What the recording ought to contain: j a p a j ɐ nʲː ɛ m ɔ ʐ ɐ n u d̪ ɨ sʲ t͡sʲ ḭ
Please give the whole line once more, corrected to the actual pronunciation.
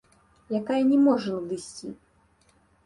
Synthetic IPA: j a k a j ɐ nʲ ɛ m ɔ ʐ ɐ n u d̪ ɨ sʲ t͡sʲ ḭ